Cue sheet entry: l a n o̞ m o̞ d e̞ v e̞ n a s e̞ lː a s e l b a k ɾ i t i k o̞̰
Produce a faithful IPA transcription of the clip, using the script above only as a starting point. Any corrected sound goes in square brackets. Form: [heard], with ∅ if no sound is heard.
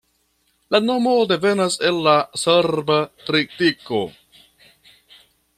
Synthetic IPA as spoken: l a n o̞ m o̞ d e̞ v e̞ n a s e̞ lː a s e [ɾ] b a [t] ɾ i t i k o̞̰